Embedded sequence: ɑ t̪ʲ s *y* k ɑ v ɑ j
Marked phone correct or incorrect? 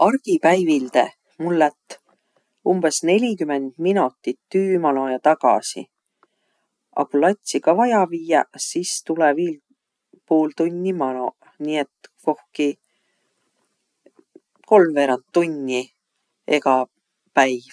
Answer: incorrect